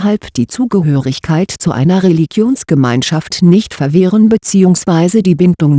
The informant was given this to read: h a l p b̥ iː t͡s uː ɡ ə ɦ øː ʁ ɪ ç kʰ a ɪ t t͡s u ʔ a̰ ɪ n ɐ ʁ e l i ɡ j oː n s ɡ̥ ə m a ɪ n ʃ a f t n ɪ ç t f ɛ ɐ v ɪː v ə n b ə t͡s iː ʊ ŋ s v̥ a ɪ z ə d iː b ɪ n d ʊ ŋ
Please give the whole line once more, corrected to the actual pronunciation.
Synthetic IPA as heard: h a l p d̥ iː t͡s uː ɡ ə ɦ øː ʁ ɪ ç kʰ a ɪ t t͡s u ʔ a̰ ɪ n ɐ ʁ e l i ɡ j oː n s ɡ̥ ə m a ɪ n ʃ a f t n ɪ ç t f ɛ ɐ v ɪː ʁ ə n b ə t͡s iː ʊ ŋ s v̥ a ɪ z ə d iː b ɪ n d ʊ ŋ